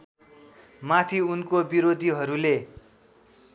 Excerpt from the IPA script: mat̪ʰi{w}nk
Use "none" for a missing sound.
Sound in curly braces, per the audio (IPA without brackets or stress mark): u